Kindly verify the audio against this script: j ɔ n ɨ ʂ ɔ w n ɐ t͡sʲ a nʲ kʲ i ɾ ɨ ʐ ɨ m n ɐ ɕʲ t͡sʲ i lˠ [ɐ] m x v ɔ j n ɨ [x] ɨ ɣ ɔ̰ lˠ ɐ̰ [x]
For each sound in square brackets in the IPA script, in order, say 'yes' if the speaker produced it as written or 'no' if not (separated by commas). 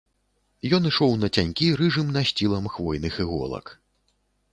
yes, yes, no